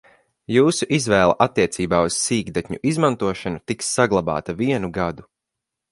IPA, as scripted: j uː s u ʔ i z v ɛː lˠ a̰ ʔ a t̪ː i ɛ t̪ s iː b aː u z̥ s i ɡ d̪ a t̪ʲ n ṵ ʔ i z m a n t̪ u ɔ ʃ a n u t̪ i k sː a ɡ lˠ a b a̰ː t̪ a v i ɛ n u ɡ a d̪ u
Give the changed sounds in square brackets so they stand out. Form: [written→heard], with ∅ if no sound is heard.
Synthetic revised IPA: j uː s u ʔ i z v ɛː lˠ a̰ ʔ a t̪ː i ɛ t̪ s iː b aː u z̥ s [i→iː] ɡ d̪ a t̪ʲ [n→ɲ] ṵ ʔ i z m a n t̪ u ɔ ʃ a n u t̪ i k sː a ɡ lˠ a b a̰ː t̪ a v i ɛ n u ɡ a d̪ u